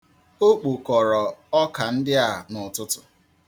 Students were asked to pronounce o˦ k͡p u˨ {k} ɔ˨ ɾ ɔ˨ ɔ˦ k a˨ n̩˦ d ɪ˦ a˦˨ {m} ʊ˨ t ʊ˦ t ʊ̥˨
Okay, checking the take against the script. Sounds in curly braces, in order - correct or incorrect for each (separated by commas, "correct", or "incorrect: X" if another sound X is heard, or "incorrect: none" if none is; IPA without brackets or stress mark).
correct, incorrect: n